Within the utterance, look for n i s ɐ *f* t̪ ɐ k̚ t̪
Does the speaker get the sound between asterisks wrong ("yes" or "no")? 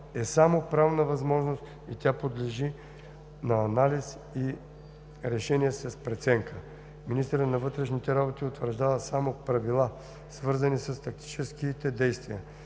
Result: yes